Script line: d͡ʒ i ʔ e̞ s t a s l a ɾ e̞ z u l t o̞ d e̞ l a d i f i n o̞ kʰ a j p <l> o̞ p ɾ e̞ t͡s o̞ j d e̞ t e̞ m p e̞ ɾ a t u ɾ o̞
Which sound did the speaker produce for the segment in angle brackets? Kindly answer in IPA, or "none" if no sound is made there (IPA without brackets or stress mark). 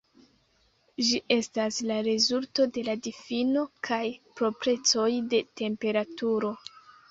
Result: ɾ